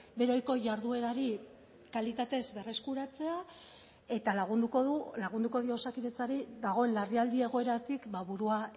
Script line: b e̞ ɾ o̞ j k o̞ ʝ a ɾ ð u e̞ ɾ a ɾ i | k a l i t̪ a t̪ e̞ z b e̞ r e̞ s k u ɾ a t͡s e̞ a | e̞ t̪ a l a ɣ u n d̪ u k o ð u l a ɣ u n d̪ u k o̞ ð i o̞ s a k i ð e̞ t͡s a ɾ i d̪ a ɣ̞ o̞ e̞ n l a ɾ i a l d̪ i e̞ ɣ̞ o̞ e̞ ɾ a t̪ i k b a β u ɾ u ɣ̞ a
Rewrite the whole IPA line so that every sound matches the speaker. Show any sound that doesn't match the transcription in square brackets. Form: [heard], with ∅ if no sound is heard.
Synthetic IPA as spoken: b e̞ ɾ o̞ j k o̞ ʝ a ɾ ð u e̞ ɾ a ɾ i | k a l i t̪ a t̪ e̞ z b e̞ r e̞ s k u ɾ a t͡s e̞ a | e̞ t̪ a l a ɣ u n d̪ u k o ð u l a ɣ u n d̪ u k o̞ ð i o̞ s a k i ð e̞ t͡s a ɾ i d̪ a ɣ̞ o̞ e̞ n l a [r] i a l d̪ i e̞ ɣ̞ o̞ e̞ ɾ a t̪ i k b a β u ɾ u [∅] a

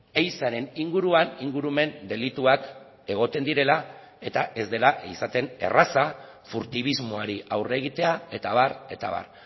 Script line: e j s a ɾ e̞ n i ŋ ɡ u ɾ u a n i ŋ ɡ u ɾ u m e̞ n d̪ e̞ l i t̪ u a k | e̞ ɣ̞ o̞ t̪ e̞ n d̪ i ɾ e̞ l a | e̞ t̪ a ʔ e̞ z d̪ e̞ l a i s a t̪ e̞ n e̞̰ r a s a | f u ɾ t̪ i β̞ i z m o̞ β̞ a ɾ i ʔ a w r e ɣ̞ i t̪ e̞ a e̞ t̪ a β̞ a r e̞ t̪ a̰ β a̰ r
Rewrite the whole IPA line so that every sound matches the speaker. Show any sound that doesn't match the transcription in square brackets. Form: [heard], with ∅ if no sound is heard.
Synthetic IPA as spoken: e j s a ɾ e̞ n i ŋ ɡ u ɾ u a n i ŋ ɡ u ɾ u m e̞ n d̪ e̞ l i t̪ u a k | e̞ ɣ̞ o̞ t̪ e̞ n d̪ i ɾ e̞ l a | e̞ t̪ a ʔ e̞ z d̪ e̞ l a i s a t̪ e̞ n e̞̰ r a s a | f u ɾ t̪ i β̞ i z m o̞ [∅] a ɾ i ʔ a w r e ɣ̞ i t̪ e̞ a e̞ t̪ a β̞ a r e̞ t̪ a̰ β a̰ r

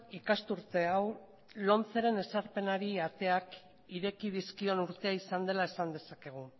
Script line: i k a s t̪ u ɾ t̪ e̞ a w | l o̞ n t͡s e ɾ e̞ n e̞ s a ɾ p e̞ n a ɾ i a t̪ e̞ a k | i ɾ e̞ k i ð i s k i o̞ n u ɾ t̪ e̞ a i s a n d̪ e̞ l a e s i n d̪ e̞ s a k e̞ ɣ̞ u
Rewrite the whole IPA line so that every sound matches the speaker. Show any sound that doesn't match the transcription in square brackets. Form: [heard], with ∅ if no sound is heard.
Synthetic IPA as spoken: i k a s t̪ u ɾ t̪ e̞ a w | l o̞ n t͡s e ɾ e̞ n e̞ s a ɾ p e̞ n a ɾ i a t̪ e̞ a k | i ɾ e̞ k i ð i s k i o̞ n u ɾ t̪ e̞ a i s a n d̪ e̞ l a e s [a] n d̪ e̞ s a k e̞ ɣ̞ u

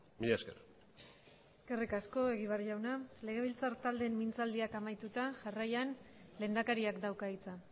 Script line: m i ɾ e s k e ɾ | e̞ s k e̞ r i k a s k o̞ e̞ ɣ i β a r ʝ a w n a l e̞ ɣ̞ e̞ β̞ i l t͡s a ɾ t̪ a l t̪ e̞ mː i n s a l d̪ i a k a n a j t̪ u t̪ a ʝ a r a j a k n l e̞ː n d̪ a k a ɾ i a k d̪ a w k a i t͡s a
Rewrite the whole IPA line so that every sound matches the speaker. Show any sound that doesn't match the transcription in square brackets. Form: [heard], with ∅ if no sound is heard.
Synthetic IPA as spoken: m i [ʎ] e s k e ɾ | e̞ s k e̞ r i k a s k o̞ e̞ ɣ i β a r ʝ a w n a l e̞ ɣ̞ e̞ β̞ i l t͡s a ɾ t̪ a l [d̪] e̞ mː i n [t͡s] a l d̪ i a k a [m] a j t̪ u t̪ a ʝ a r a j a [∅] n l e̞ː n d̪ a k a ɾ i a k d̪ a w k a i t͡s a

